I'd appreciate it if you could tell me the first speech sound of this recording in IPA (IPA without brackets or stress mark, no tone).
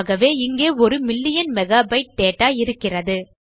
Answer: ɣ